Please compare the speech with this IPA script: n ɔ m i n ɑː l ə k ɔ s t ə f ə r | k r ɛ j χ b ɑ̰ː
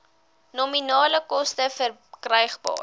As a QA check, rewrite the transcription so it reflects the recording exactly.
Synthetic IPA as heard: n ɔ m i n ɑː l ə k ɔ s t ə f ə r | k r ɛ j χ b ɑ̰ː

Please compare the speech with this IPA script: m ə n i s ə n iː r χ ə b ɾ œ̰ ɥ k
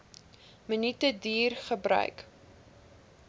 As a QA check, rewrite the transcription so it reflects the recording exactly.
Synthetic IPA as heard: m ə n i t ə d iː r χ ə b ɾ œ̰ ɥ k

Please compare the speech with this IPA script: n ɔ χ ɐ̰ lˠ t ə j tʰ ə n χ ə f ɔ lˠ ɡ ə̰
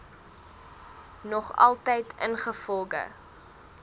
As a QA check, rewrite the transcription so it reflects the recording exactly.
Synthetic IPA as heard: n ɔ χ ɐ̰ lˠ t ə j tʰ ə n χ ə f ɔ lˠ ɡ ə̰

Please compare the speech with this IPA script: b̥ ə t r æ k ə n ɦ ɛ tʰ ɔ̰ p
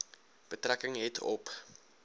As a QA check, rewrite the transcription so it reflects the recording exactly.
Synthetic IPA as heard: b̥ ə t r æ k ə ŋ ɦ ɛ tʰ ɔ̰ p

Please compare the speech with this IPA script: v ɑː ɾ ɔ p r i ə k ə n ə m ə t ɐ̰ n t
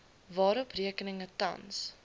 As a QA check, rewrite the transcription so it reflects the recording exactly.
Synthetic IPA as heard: v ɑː ɾ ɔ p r i ə k ə n ə ŋ ə t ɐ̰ n s

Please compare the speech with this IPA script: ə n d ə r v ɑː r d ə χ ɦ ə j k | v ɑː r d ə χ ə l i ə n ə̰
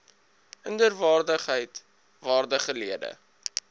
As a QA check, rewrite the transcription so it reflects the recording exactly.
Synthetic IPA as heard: ə n d ə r v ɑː r d ə χ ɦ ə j t | v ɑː r d ə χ ə l i ə d ə̰

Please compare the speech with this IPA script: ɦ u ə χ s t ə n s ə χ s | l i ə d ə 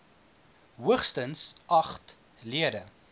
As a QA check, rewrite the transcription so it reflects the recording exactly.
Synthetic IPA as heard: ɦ u ə χ s t ə n s ɐ χ t | l i ə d ə

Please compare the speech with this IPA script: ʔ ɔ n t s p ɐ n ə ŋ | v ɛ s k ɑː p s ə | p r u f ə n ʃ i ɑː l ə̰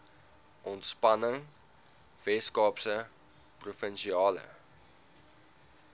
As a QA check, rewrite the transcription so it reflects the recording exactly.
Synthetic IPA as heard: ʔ ɔ n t s p ɐ n ə ŋ | v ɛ s k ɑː p s ə | p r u f ə n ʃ i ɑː l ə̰

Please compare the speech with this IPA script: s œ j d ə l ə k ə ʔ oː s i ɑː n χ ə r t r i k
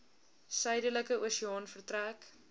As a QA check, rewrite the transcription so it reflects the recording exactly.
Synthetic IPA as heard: s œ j d ə l ə k ə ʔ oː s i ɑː n f ə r t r æ k

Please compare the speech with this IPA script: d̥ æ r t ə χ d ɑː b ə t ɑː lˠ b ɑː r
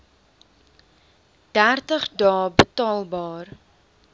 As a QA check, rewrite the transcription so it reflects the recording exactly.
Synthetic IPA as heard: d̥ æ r t ə χ d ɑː b ə t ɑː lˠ b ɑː r

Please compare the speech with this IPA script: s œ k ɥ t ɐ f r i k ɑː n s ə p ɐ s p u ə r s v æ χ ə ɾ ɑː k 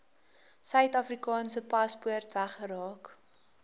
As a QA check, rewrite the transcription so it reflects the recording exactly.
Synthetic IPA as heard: s œ ɥ t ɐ f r i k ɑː n s ə p ɐ s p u ə r t v æ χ ə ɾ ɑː k

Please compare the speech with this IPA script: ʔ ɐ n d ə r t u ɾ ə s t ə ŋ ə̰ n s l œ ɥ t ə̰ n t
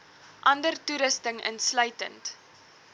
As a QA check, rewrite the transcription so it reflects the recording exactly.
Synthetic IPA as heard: ʔ ɐ n d ə r t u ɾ ə s t ə ŋ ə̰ n s l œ ɥ t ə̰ n t

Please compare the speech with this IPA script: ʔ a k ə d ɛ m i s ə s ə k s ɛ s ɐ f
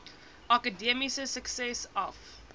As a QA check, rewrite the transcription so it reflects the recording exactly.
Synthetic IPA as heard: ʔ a k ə d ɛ m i s ə s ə k s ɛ s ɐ f

